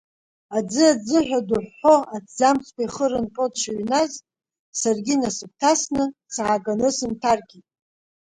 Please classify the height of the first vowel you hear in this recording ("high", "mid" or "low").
low